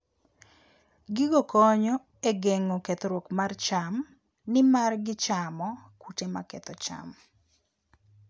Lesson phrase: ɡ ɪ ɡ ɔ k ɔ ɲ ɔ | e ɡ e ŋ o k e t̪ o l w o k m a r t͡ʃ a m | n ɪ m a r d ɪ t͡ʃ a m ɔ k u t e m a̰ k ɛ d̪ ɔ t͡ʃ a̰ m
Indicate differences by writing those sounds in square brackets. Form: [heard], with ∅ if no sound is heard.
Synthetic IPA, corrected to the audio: ɡ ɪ ɡ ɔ k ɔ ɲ ɔ | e ɡ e ŋ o k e t̪ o [ɾ] w o k m a r t͡ʃ a m | n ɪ m a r [ɡ] ɪ t͡ʃ a m ɔ k u t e m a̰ k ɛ [t̪] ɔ t͡ʃ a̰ m

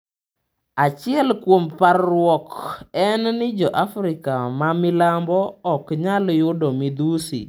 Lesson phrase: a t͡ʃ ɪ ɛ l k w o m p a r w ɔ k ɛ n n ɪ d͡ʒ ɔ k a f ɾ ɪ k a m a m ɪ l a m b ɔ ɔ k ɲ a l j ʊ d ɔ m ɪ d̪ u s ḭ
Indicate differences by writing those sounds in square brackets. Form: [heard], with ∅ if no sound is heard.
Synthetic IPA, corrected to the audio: a t͡ʃ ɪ ɛ l k w o m p a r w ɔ k ɛ n n ɪ d͡ʒ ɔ [ʔ] a f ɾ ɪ k a m a m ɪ l a m b ɔ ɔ k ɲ a l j ʊ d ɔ m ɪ d̪ u s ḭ

